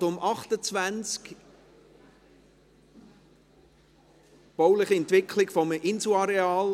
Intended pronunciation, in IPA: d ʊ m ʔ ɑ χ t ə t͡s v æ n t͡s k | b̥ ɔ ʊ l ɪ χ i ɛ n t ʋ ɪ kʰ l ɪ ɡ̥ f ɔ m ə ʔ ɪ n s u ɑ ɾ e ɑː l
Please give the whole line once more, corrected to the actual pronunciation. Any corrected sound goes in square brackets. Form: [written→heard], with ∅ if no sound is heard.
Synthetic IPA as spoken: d ʊ m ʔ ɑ χ t ə t͡s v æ n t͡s k | b̥ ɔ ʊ l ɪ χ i ɛ n t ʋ ɪ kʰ l ɪ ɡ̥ f ɔ m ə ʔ ɪ n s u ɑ ɾ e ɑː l